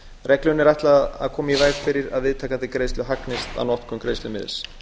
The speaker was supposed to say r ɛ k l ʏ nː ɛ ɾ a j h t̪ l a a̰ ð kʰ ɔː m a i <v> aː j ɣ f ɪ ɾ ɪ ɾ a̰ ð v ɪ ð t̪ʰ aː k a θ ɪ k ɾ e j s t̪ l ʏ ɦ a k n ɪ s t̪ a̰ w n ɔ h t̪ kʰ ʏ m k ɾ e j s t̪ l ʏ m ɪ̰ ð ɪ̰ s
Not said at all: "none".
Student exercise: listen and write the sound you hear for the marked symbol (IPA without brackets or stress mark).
v